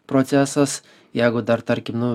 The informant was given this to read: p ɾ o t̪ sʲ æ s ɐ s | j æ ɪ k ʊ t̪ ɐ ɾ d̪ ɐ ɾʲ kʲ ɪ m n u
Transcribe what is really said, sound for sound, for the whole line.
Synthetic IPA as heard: p ɾ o t̪ sʲ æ s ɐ s | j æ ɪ ɡ ʊ d̪ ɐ ɾ t̪ ɐ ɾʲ kʲ ɪ m n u